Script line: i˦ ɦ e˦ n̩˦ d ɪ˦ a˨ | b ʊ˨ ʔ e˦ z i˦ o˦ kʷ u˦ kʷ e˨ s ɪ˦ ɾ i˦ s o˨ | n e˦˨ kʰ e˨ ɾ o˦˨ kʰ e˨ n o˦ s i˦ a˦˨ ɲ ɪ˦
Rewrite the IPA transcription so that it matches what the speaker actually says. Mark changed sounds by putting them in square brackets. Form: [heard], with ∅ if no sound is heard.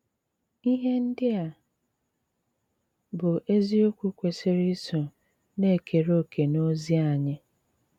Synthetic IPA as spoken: i˦ ɦ e˦ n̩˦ d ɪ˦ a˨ | b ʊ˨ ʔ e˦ z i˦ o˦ kʷ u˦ kʷ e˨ s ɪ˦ ɾ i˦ s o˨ | n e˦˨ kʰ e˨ ɾ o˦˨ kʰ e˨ n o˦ [z] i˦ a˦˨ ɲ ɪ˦